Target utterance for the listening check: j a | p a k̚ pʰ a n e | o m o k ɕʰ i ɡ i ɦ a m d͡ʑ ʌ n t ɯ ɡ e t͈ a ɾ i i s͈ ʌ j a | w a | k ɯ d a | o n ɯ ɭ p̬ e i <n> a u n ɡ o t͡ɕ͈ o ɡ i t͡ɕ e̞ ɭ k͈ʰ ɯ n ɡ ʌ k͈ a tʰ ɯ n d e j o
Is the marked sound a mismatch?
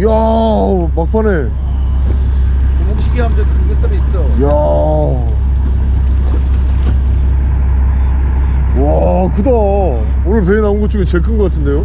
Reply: no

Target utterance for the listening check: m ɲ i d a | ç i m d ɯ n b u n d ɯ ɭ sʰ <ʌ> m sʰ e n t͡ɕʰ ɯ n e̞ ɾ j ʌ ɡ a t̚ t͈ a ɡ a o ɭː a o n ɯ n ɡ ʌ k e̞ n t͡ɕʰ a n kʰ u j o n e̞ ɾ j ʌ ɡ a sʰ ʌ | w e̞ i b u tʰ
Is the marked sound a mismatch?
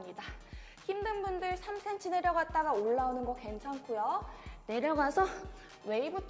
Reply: yes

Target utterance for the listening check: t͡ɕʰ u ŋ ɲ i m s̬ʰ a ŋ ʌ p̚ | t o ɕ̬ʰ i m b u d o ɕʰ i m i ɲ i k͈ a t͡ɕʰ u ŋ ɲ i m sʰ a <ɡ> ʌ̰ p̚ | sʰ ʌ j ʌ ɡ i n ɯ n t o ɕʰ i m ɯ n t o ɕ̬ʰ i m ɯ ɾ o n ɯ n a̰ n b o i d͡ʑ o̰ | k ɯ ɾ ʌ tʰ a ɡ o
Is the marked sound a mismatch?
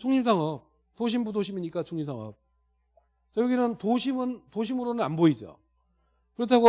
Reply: yes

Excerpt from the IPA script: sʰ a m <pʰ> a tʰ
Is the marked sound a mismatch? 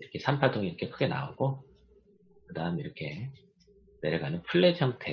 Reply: no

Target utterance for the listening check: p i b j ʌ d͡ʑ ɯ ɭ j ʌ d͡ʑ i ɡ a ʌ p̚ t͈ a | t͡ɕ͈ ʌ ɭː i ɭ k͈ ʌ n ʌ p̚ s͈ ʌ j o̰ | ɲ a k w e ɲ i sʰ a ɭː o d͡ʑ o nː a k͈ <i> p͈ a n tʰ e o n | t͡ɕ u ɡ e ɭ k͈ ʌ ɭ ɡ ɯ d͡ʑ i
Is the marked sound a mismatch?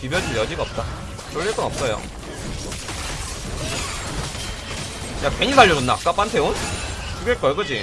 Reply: yes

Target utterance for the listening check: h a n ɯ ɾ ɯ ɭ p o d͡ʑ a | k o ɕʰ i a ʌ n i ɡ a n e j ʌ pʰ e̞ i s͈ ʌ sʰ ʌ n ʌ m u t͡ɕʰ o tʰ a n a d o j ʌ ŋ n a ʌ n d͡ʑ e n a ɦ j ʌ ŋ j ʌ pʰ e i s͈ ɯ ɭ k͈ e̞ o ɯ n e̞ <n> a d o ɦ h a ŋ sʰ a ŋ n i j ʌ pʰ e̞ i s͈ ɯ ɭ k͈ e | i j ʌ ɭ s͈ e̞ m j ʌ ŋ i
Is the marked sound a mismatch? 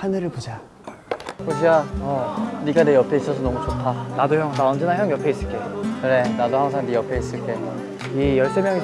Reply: no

